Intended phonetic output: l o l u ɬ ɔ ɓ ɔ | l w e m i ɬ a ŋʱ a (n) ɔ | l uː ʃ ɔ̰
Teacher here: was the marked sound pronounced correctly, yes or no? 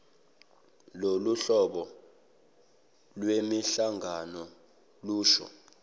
yes